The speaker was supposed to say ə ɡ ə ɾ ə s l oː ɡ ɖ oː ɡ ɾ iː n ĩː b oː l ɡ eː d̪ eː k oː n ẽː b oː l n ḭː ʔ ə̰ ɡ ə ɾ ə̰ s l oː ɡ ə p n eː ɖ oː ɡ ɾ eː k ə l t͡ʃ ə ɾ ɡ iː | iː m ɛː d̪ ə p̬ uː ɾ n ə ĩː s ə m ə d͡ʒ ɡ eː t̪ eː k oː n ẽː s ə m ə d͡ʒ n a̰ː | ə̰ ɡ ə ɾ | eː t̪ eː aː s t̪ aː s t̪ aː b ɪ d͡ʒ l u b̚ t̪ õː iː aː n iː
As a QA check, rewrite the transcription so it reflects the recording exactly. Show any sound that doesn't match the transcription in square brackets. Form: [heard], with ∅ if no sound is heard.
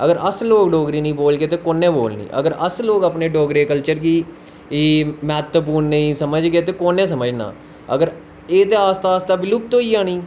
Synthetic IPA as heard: ə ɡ ə ɾ ə s l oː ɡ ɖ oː ɡ ɾ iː n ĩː b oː l ɡ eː [t̪] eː k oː n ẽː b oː l n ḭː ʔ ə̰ ɡ ə ɾ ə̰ s l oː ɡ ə p n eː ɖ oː ɡ ɾ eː k ə l t͡ʃ ə ɾ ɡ iː | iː m ɛː [t̪] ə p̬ uː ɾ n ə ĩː s ə m ə d͡ʒ ɡ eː t̪ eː k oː n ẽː s ə m ə d͡ʒ n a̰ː | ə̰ ɡ ə ɾ | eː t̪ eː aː s t̪ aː s t̪ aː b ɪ [∅] l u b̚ t̪ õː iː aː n iː